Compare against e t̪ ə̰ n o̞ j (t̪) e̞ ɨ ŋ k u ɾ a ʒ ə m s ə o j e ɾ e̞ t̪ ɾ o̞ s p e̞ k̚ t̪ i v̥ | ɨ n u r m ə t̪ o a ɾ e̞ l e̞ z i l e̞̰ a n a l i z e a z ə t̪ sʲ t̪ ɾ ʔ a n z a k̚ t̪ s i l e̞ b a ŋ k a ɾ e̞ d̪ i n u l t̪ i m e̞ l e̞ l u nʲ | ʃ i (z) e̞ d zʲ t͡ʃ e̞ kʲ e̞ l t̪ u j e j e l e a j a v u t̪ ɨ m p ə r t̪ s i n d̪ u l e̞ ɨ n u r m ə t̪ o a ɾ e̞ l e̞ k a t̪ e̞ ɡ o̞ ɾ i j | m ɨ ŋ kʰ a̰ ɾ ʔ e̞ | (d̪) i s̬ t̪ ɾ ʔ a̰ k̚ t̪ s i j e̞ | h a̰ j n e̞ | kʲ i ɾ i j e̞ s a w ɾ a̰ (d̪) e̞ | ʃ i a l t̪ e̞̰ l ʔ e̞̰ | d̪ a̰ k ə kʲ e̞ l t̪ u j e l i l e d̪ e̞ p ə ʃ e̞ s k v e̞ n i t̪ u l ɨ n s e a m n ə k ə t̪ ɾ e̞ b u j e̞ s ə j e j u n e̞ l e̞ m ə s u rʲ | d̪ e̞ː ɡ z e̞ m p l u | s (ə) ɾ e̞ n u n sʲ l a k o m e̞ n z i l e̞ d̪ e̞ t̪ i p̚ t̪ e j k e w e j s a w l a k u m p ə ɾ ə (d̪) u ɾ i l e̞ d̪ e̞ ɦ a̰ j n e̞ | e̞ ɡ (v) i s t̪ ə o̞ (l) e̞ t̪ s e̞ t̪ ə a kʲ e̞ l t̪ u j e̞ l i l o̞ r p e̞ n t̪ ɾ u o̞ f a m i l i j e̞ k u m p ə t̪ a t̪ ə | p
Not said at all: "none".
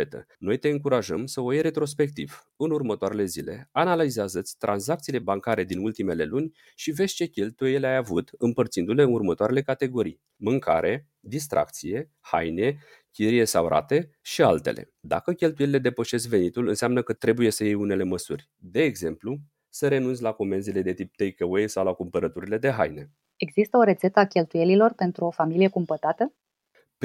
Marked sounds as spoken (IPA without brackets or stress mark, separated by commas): t̪, v, d̪, t̪, ə, t̪, z, ɾ